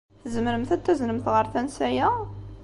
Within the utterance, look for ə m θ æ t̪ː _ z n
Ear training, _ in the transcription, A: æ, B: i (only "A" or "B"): A